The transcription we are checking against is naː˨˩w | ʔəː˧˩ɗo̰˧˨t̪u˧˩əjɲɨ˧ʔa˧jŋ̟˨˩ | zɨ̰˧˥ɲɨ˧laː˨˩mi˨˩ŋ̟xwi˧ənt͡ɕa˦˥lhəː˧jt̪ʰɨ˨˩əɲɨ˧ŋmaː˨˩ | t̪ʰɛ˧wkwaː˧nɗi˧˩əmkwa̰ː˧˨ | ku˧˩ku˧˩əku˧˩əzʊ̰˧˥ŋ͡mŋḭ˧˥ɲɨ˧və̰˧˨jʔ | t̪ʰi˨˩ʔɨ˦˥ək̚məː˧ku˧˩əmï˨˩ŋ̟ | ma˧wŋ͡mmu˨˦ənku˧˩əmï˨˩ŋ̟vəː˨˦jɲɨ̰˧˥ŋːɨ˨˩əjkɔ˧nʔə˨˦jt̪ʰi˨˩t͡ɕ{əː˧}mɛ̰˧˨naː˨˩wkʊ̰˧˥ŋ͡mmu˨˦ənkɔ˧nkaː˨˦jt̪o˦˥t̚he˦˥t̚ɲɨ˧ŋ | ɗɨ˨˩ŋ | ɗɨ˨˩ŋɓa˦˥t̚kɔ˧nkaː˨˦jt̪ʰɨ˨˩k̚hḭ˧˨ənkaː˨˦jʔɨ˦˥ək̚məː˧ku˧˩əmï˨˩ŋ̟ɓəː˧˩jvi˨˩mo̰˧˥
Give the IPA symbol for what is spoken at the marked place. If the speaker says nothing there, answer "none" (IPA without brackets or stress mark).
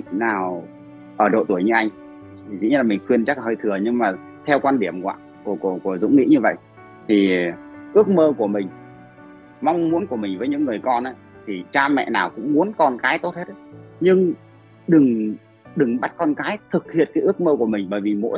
aː˧